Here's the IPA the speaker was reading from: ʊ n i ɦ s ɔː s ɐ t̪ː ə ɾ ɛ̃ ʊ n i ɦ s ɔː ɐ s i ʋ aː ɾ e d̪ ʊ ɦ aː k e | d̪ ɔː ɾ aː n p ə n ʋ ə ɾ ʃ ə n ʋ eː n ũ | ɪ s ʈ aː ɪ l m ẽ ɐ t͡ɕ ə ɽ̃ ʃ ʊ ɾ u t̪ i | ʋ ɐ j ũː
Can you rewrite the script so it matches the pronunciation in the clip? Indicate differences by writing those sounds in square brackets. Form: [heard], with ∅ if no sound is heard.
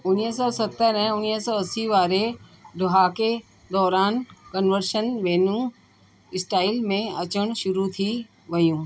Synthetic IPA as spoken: ʊ n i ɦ s ɔː s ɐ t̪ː ə ɾ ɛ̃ ʊ n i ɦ s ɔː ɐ s i ʋ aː ɾ e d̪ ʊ ɦ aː k e | d̪ ɔː ɾ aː n [k] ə n ʋ ə ɾ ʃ ə n ʋ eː n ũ | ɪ s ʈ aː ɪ l m ẽ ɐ t͡ɕ ə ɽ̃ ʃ ʊ ɾ u [t̪ʰ] i | ʋ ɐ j ũː